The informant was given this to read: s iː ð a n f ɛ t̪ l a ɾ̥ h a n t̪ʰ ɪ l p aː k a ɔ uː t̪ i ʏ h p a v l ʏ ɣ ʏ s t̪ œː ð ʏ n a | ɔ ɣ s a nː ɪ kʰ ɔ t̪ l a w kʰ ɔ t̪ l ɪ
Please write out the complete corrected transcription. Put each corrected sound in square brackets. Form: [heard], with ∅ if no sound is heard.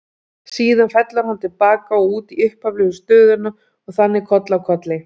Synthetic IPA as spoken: s iː ð a n f ɛ t̪ l a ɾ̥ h a n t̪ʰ ɪ l p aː k a ɔ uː t̪ i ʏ h p a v l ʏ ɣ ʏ s t̪ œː ð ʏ n a | ɔ ɣ [θ] a nː ɪ kʰ ɔ t̪ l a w kʰ ɔ t̪ l ɪ